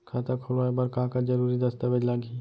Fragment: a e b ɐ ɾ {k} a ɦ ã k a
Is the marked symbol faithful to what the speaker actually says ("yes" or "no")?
yes